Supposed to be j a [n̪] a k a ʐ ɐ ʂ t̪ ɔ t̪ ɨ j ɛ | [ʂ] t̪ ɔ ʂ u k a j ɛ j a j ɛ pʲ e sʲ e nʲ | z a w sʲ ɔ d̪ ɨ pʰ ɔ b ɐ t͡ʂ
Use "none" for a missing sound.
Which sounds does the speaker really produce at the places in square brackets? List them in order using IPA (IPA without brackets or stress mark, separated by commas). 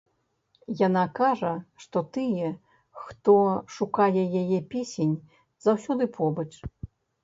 n̪, x